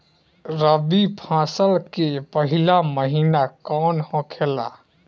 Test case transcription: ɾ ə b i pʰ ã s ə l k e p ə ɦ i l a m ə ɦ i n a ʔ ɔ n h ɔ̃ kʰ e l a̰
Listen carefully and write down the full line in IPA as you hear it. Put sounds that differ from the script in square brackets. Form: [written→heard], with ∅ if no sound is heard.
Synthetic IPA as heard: ɾ ə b i pʰ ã s ə l k e p ə ɦ i l a m ə ɦ i n a [ʔ→k] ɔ n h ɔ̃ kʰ e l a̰